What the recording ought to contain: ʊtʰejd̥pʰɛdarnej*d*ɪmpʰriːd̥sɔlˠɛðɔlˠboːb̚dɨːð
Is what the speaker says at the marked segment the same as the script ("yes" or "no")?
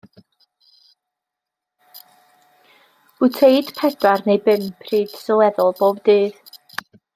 no